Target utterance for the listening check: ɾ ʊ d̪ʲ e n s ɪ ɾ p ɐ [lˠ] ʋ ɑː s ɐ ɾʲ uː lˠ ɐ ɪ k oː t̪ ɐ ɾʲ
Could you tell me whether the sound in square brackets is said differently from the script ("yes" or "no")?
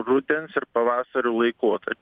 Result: yes